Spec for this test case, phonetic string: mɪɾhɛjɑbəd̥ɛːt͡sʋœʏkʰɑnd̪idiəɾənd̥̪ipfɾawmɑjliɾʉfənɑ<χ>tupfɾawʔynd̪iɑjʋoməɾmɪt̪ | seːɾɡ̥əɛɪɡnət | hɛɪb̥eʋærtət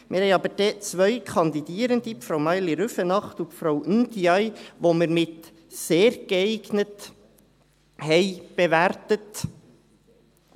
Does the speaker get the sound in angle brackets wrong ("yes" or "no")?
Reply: no